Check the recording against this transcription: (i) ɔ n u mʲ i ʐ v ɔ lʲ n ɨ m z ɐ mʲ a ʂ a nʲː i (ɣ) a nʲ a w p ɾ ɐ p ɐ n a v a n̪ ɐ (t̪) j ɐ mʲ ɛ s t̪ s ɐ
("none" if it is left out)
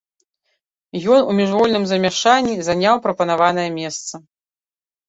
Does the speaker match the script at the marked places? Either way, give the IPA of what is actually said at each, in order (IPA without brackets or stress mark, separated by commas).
j, z, none